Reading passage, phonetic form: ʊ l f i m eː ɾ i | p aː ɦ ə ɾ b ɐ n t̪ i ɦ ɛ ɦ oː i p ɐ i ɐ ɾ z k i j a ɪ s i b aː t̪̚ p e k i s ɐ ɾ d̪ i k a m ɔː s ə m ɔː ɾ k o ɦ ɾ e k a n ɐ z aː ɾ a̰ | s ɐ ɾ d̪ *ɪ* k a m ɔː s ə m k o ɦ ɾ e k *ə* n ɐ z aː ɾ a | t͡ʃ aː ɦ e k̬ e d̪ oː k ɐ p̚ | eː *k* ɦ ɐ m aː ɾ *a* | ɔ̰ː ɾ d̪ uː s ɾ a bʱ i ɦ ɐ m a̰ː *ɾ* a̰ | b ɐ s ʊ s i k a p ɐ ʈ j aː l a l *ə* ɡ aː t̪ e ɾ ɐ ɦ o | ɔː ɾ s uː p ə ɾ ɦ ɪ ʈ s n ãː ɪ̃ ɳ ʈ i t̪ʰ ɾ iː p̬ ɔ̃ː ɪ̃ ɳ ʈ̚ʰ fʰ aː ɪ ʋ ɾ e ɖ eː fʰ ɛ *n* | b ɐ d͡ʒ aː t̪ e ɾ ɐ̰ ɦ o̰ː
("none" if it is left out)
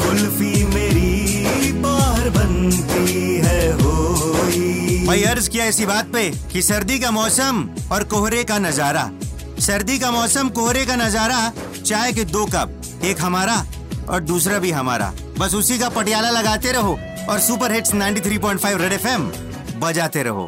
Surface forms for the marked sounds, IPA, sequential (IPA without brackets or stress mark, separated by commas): i, a, k, a, ɾ, ɐ, m